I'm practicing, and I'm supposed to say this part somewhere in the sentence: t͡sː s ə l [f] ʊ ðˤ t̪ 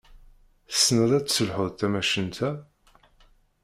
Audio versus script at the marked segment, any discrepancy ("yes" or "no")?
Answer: yes